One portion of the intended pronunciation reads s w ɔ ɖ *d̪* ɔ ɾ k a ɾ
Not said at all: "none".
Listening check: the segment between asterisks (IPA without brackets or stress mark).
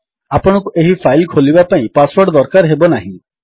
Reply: d̪